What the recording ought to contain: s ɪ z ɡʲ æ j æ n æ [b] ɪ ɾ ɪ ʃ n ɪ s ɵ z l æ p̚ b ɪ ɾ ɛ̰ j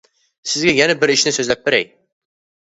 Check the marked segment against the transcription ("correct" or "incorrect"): correct